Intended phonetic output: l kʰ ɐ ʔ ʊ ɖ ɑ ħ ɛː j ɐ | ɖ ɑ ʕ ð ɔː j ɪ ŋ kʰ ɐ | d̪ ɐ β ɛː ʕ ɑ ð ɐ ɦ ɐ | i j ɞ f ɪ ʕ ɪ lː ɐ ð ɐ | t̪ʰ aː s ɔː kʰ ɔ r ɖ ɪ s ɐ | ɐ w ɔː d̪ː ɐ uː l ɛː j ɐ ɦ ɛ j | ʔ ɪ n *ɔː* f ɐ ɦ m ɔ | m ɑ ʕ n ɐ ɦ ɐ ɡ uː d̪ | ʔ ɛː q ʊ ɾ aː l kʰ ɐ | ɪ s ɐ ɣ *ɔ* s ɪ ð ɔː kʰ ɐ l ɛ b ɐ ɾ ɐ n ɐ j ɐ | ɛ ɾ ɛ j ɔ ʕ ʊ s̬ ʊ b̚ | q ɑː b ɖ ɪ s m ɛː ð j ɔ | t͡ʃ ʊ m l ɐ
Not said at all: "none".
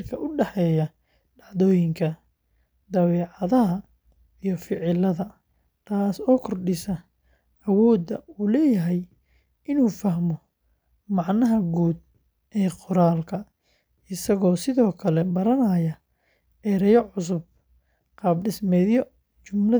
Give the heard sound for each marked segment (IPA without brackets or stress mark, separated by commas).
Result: uː, ɔː